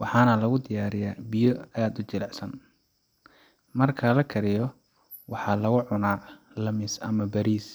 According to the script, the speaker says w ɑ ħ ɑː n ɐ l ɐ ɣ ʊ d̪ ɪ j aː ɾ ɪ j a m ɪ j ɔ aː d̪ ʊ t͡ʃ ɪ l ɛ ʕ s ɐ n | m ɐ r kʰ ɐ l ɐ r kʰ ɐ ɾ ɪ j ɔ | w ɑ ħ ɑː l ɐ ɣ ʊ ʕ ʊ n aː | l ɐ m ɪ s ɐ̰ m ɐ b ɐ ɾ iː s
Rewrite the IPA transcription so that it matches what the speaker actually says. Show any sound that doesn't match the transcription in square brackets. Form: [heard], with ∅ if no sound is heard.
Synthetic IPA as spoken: w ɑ ħ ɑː n ɐ l ɐ ɣ ʊ d̪ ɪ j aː ɾ ɪ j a [b] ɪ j ɔ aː d̪ ʊ t͡ʃ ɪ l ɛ ʕ s ɐ n | m ɐ r kʰ ɐ l ɐ [∅] kʰ ɐ ɾ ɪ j ɔ | w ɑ ħ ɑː l ɐ ɣ ʊ ʕ ʊ n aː | l ɐ m ɪ s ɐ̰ m ɐ b ɐ ɾ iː s